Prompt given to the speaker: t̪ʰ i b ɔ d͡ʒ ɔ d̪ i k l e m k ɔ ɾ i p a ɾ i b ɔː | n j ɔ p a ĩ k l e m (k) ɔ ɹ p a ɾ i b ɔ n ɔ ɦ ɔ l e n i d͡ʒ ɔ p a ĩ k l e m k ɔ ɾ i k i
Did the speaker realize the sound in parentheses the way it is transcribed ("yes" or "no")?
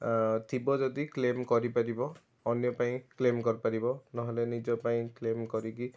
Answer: yes